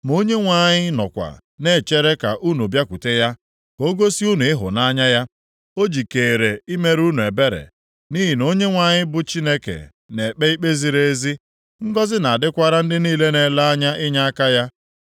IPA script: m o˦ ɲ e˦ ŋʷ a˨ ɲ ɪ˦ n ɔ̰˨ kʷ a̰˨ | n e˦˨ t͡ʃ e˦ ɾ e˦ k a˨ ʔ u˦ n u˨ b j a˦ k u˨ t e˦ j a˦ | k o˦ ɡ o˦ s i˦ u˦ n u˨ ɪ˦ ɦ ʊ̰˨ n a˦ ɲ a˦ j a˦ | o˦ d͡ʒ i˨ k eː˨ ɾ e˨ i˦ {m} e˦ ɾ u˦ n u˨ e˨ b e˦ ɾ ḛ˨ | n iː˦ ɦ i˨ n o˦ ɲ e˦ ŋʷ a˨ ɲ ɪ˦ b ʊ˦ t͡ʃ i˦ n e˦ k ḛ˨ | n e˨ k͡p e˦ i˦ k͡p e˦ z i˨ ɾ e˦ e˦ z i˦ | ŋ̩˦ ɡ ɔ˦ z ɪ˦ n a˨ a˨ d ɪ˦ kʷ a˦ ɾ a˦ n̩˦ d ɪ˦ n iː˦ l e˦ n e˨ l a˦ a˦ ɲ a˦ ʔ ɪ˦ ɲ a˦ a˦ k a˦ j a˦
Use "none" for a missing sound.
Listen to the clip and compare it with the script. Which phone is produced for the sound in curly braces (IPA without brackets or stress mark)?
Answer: m